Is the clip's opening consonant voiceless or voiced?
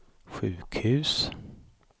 voiceless